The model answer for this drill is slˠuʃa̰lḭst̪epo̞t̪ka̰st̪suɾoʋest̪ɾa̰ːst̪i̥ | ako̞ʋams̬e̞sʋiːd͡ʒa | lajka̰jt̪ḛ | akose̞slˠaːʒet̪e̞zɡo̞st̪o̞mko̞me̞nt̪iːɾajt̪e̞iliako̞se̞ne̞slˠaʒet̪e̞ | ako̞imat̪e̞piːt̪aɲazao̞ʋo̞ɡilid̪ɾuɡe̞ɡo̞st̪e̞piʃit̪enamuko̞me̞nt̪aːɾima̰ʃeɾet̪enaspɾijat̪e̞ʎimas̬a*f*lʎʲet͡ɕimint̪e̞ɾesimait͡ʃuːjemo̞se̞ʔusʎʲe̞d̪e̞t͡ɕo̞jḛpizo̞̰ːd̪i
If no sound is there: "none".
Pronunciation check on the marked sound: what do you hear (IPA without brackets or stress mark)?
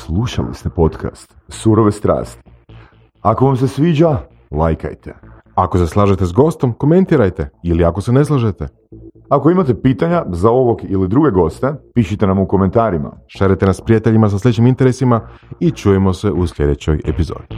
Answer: s